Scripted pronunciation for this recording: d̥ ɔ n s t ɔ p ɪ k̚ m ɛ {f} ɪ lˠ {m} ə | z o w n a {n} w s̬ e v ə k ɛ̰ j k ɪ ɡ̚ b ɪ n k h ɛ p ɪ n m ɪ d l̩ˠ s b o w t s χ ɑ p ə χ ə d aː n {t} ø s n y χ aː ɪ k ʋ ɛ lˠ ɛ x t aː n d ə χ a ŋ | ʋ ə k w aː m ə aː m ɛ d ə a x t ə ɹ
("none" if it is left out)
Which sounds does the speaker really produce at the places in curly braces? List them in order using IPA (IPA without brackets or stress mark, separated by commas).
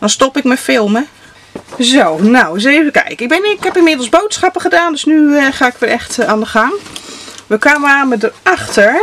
f, m, none, d